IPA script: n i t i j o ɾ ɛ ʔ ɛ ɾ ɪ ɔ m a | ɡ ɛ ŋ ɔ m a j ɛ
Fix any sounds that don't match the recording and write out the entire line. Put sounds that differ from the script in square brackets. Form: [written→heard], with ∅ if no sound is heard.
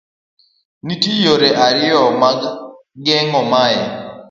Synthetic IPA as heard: n i t i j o ɾ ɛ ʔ [ɛ→a] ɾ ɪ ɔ m a | ɡ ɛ ŋ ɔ m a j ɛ